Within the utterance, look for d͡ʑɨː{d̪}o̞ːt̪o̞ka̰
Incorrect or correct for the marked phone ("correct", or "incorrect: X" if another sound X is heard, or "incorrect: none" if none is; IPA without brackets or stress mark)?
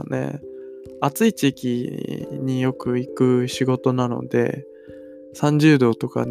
correct